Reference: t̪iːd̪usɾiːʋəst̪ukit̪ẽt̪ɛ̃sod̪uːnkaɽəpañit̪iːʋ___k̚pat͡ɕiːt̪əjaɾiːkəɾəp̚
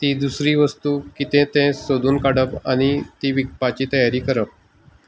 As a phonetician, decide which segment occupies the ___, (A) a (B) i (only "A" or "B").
B